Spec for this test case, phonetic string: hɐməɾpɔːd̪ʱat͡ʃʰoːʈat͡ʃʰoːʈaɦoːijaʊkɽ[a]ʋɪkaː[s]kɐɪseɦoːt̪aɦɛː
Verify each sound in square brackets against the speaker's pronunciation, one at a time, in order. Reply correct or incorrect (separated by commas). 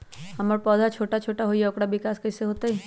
correct, correct